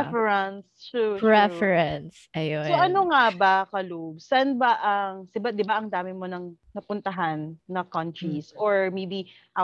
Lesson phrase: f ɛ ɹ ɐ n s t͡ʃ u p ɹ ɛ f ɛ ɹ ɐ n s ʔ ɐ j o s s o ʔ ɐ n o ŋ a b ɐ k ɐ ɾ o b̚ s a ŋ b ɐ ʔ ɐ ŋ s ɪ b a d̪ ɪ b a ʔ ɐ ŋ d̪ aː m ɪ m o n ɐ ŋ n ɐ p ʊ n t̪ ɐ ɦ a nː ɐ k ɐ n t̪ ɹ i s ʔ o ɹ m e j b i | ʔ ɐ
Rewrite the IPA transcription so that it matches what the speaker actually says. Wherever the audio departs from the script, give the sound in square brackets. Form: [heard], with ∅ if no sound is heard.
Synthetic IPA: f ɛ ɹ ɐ n s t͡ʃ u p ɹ ɛ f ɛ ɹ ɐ n s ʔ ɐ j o s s o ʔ ɐ n o ŋ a b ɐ k ɐ [l] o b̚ s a [n] b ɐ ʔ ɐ ŋ s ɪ b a d̪ ɪ b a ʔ ɐ ŋ d̪ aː m ɪ m o n ɐ ŋ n ɐ p ʊ n t̪ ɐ ɦ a nː ɐ k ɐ n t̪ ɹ i s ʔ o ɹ m e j b i | ʔ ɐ